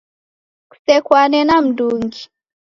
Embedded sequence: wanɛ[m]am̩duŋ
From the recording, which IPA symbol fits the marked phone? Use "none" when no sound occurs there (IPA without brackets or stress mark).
n